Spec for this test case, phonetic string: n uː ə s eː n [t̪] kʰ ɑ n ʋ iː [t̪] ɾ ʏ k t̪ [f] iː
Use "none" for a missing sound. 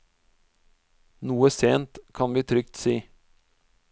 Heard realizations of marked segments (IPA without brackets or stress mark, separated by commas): t̪, t̪ʰ, s